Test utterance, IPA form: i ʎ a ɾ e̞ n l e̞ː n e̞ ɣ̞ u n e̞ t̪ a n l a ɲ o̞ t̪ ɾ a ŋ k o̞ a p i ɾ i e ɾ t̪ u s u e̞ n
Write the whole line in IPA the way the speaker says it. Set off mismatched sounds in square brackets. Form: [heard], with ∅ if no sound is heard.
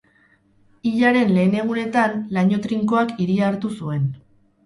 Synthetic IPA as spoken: i ʎ a ɾ e̞ n l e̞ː n e̞ ɣ̞ u n e̞ t̪ a n l a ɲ o̞ t̪ ɾ [i] ŋ k o̞ a [k] i ɾ i [a] ɾ t̪ u s u e̞ n